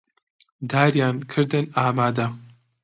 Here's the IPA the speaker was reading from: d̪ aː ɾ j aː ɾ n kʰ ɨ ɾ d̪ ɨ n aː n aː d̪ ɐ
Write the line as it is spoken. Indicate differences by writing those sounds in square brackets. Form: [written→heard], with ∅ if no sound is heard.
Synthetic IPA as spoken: d̪ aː ɾ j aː [ɾ→∅] n kʰ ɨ ɾ d̪ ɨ n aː [n→m] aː d̪ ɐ